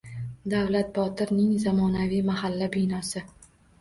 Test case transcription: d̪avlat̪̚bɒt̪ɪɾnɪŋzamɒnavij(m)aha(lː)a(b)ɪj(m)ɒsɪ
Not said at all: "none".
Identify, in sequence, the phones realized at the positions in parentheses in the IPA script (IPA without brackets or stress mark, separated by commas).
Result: m, lː, b, n